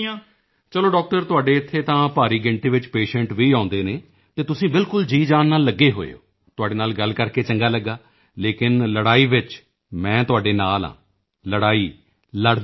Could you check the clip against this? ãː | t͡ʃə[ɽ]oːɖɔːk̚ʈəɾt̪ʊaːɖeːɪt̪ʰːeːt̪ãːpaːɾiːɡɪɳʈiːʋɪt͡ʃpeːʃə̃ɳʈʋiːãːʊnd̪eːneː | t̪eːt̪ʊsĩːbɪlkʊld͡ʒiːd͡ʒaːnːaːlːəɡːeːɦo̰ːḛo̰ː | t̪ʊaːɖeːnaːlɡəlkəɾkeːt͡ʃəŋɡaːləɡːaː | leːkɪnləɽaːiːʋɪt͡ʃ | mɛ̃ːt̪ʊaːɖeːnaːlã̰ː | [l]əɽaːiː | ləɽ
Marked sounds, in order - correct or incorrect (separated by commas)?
incorrect, correct